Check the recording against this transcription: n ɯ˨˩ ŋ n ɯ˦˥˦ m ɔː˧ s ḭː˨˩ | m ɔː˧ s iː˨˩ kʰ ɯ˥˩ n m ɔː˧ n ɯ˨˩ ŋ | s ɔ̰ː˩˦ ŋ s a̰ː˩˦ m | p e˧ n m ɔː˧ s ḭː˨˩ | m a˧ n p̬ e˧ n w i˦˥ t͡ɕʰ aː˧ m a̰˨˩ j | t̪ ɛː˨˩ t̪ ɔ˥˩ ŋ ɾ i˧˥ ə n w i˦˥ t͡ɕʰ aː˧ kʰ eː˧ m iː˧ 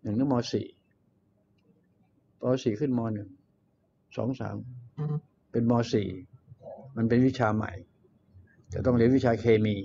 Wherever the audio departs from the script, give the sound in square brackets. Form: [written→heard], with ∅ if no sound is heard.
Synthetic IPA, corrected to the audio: n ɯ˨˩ ŋ n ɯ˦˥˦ m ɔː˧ s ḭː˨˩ | m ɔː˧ s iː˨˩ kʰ ɯ˥˩ n m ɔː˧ n ɯ˨˩ ŋ | s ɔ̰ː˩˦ ŋ s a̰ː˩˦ m | p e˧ n m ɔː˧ s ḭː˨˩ | m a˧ n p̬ e˧ n w i˦˥ t͡ɕʰ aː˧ m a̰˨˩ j | t̪ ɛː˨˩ t̪ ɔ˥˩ ŋ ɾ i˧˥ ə n w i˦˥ t͡ɕʰ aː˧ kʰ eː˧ m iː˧

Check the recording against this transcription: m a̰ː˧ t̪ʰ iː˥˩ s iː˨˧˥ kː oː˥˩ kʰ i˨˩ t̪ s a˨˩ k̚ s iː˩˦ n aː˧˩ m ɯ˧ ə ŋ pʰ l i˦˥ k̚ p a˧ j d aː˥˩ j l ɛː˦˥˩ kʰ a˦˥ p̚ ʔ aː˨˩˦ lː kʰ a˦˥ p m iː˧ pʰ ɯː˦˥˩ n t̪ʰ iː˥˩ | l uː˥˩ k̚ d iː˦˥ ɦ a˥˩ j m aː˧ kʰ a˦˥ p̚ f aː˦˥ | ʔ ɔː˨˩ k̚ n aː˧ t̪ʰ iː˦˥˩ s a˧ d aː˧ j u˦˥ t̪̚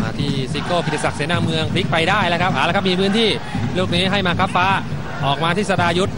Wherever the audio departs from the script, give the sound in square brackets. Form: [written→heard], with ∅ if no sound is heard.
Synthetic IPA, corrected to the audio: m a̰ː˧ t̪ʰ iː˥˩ s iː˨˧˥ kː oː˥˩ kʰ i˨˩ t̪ s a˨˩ k̚ s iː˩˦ n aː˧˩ m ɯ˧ ə ŋ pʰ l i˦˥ k̚ p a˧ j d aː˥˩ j l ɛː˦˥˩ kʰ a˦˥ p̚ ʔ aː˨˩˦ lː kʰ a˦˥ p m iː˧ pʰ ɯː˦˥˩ n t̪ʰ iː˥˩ | l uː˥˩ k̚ [d→n] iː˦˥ ɦ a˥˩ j m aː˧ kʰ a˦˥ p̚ f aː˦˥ | ʔ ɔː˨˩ k̚ [n→m] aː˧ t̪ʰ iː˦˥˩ s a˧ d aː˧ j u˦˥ t̪̚

